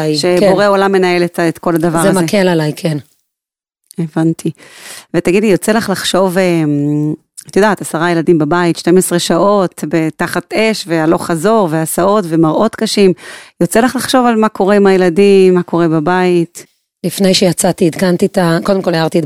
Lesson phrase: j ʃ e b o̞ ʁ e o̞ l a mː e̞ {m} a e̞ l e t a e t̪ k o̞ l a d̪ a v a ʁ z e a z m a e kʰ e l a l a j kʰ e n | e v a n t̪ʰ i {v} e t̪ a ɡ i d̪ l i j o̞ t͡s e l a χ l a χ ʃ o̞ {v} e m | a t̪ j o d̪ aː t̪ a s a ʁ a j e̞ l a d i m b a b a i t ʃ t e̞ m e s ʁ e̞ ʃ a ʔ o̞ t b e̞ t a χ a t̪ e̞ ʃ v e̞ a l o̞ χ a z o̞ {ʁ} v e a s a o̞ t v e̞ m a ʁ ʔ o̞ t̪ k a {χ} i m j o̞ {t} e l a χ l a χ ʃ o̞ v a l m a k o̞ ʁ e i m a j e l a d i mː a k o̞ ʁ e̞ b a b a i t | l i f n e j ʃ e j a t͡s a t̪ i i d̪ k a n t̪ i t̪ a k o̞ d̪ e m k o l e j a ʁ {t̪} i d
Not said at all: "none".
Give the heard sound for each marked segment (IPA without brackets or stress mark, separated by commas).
n, v, v, ʁ, ʃ, t͡s, t̪